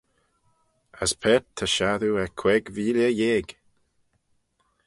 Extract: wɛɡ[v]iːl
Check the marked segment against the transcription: correct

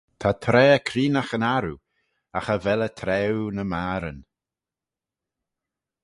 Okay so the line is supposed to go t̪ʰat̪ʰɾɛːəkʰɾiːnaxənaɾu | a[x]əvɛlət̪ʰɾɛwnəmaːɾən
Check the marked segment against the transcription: correct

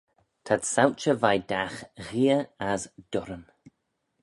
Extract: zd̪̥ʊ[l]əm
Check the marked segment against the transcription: incorrect: ɾ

